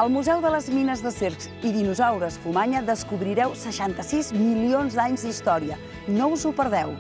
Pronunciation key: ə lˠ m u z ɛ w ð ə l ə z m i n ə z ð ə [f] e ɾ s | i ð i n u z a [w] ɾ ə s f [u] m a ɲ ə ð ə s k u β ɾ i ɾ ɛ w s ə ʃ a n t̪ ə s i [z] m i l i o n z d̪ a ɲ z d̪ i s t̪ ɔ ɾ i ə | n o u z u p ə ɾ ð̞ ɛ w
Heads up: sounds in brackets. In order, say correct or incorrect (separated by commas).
incorrect, correct, correct, correct